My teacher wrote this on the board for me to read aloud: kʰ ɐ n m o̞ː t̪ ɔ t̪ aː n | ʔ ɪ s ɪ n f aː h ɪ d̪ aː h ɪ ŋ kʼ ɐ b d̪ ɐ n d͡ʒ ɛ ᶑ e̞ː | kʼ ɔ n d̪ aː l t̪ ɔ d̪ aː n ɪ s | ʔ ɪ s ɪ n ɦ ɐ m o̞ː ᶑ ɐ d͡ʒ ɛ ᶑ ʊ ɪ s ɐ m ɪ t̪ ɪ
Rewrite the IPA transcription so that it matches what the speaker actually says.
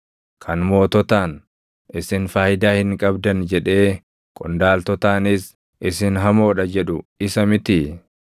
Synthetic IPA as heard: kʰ ɐ n m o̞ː t̪ ɔ t̪ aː n | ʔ ɪ s ɪ n f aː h ɪ d̪ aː h ɪ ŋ kʼ ɐ b d̪ ɐ n d͡ʒ ɛ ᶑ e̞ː | kʼ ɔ n d̪ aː l t̪ ɔ t̪ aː n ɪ s | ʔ ɪ s ɪ n ɦ ɐ m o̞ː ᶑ ɐ d͡ʒ ɛ ᶑ ʊ ɪ s ɐ m ɪ t̪ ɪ